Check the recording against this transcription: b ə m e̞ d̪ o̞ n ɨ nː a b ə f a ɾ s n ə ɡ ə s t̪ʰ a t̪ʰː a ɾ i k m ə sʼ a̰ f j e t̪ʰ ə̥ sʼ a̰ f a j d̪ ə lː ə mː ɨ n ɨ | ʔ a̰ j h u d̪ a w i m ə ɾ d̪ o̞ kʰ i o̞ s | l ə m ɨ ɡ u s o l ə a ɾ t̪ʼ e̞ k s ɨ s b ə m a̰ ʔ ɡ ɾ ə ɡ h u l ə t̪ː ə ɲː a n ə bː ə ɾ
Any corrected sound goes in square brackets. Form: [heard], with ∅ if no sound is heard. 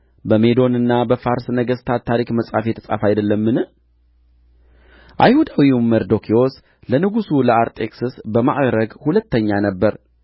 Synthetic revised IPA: b ə m e̞ d̪ o̞ n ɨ nː a b ə f a ɾ s n ə ɡ ə s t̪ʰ a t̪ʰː a ɾ i k m ə sʼ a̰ f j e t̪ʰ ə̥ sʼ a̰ f a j d̪ ə lː ə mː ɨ n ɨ | ʔ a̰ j h u d̪ a w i m ə ɾ d̪ o̞ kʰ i o̞ s | l ə [n] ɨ ɡ u s [u] l ə a ɾ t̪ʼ e̞ k s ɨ s b ə m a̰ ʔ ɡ ɾ ə ɡ h u l ə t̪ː ə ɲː a n ə bː ə ɾ